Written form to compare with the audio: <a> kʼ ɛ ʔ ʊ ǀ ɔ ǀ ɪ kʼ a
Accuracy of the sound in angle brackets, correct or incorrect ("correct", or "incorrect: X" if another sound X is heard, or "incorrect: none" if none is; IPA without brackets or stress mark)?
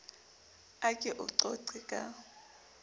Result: correct